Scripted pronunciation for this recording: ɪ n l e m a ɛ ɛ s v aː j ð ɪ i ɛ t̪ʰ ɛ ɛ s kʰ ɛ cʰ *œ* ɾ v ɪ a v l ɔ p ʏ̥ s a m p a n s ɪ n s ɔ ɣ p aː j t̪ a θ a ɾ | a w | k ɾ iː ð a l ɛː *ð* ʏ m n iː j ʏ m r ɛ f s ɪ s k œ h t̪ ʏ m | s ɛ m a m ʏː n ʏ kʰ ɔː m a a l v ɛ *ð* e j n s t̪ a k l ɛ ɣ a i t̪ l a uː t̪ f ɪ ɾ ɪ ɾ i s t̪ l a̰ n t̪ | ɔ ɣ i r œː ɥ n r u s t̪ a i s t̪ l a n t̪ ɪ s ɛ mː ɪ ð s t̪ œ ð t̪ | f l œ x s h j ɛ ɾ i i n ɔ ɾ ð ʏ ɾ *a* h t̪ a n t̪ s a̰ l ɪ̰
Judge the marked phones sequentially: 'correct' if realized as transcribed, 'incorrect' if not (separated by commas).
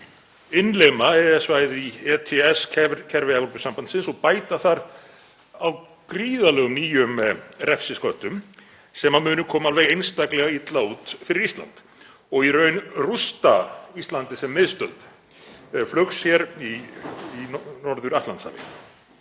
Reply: incorrect, incorrect, incorrect, correct